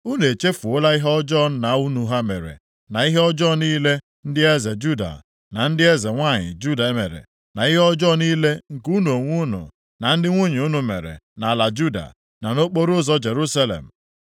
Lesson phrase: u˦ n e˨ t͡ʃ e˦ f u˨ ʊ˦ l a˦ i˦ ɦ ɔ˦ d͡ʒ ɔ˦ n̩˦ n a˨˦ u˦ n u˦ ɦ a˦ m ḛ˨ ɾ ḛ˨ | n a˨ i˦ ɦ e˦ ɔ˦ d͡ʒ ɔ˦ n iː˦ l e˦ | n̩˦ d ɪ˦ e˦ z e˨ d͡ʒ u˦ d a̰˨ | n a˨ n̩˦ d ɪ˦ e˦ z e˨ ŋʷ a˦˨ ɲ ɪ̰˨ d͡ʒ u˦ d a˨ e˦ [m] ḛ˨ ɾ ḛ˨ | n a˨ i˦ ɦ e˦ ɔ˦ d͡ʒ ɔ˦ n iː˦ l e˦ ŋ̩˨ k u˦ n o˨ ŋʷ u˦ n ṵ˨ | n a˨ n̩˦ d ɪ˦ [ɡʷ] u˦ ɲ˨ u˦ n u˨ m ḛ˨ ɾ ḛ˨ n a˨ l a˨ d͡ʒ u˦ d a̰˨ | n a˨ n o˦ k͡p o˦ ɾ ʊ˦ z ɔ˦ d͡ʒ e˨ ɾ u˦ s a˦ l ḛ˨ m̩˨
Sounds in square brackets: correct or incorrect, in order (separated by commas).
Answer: correct, incorrect